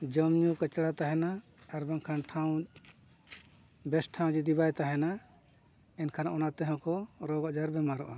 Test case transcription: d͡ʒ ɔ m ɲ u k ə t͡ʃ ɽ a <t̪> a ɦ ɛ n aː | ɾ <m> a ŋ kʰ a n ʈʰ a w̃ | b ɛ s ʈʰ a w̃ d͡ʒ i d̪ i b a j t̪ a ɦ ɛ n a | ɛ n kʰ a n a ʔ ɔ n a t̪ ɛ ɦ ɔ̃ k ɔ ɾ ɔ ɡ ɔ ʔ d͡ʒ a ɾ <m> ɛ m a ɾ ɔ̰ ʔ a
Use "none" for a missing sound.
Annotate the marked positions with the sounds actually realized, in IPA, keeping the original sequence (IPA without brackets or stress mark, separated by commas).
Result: t̪, b, b